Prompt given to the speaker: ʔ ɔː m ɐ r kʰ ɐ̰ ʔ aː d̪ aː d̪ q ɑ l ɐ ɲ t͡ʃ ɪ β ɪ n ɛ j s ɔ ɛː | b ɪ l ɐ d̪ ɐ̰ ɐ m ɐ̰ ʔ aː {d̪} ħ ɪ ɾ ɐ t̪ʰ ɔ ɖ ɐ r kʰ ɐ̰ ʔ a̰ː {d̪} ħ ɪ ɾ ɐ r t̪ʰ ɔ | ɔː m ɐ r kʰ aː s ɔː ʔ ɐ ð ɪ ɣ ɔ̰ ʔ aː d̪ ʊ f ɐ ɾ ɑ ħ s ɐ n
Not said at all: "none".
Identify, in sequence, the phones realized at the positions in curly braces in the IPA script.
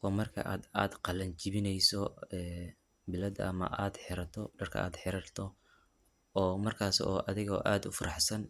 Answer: d̪, d̪

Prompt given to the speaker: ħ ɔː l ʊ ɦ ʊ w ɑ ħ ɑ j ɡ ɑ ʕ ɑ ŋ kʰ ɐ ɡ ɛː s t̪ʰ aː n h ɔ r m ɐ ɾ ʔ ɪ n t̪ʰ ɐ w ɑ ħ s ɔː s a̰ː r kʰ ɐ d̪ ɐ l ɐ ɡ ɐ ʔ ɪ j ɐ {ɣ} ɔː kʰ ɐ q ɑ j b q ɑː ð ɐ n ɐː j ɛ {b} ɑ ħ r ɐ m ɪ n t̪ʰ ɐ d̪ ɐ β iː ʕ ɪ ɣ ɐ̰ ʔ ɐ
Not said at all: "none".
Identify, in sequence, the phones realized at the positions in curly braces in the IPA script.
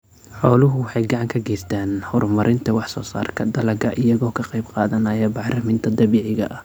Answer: ɣ, b

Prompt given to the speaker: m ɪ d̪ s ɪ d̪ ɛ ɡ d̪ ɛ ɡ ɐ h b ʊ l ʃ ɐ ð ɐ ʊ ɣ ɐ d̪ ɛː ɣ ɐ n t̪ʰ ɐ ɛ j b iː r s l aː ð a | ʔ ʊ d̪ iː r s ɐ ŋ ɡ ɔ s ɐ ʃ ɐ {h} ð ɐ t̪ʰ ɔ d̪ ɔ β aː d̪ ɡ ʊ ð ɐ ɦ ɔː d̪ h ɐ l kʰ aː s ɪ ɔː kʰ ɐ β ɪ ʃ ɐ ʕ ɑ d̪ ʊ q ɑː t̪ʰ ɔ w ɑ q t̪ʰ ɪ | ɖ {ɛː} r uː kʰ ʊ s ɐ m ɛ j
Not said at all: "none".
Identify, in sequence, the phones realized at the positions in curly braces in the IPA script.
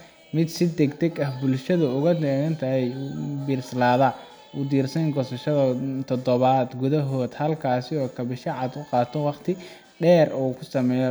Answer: none, ɛː

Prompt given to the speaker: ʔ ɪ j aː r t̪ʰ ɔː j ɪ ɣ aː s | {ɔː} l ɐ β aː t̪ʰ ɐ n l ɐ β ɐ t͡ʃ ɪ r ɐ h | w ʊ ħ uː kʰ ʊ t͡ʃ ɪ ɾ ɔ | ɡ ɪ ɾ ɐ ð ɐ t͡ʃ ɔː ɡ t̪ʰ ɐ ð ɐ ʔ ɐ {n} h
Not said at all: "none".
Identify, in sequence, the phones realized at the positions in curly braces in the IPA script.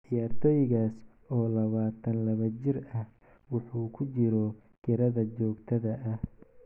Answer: ɔː, none

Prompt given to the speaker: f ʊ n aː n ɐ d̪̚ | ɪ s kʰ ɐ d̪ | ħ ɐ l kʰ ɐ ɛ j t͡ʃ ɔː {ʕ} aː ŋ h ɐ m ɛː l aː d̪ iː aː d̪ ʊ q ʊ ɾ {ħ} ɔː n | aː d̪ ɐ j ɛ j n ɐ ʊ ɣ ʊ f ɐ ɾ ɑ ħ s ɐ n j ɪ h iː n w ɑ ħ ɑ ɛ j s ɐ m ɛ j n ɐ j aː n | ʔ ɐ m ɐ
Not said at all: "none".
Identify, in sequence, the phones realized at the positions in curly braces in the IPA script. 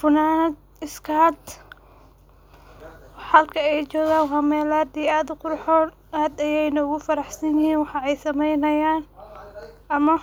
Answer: ɣ, ħ

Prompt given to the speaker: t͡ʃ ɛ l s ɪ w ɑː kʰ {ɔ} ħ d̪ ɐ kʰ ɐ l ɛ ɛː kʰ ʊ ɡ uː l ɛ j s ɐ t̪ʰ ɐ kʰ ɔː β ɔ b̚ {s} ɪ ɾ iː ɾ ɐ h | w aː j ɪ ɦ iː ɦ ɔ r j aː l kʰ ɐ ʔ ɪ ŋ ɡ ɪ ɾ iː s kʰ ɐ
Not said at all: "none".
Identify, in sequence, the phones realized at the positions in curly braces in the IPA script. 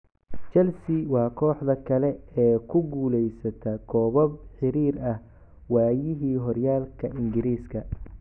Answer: ɔː, ħ

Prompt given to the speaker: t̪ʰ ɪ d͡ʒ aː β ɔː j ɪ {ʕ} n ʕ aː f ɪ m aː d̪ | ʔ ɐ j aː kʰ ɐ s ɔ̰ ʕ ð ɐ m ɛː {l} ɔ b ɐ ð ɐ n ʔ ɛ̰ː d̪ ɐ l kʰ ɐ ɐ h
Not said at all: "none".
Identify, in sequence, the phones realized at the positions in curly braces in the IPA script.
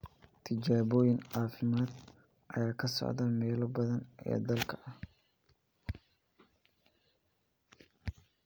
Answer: none, l

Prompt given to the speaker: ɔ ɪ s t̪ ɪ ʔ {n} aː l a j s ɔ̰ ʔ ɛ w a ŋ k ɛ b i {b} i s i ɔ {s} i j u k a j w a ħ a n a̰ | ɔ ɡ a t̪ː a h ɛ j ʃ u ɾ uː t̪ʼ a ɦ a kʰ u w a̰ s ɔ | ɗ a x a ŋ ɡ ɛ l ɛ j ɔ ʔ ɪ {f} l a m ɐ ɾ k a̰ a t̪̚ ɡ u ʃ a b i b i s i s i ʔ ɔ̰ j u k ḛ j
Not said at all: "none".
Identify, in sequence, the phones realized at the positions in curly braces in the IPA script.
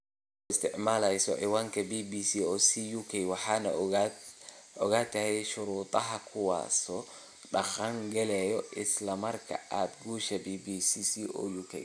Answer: m, b, s, s

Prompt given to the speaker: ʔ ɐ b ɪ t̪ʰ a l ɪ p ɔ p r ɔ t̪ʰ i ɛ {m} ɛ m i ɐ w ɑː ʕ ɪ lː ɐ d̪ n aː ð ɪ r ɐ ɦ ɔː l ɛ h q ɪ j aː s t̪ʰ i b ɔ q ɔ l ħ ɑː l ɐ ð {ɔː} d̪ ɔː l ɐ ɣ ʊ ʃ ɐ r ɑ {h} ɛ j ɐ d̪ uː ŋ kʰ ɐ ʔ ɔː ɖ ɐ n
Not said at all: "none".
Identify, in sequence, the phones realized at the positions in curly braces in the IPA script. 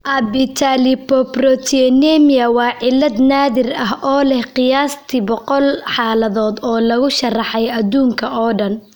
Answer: n, ɔː, ħ

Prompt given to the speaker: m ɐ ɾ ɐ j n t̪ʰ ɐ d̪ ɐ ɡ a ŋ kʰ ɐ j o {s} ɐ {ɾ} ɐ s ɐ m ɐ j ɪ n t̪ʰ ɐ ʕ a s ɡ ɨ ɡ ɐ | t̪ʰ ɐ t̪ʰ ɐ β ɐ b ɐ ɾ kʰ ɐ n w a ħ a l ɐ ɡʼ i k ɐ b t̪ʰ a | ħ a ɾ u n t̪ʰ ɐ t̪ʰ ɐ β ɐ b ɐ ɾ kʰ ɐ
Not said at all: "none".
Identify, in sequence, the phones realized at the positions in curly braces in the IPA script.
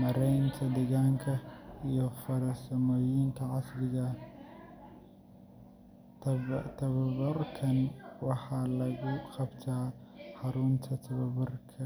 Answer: f, ɾ

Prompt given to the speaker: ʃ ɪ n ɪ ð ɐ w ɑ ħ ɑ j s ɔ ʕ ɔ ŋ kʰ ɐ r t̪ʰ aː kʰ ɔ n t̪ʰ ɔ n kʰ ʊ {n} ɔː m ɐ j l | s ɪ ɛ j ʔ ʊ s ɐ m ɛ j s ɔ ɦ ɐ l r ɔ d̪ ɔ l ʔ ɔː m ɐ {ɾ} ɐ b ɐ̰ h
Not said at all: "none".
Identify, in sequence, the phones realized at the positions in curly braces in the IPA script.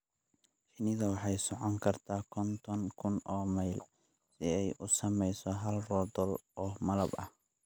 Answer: n, l

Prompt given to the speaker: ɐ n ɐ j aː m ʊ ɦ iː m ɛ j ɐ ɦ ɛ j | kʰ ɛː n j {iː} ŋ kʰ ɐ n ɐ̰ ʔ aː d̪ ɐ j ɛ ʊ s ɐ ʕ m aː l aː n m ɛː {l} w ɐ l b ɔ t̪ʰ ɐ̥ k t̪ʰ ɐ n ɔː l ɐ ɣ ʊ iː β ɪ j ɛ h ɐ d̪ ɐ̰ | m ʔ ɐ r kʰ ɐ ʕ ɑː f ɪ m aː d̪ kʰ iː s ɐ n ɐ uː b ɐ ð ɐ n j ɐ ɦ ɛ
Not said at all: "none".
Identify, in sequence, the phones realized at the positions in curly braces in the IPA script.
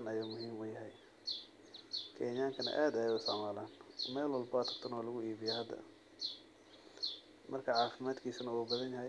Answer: aː, l

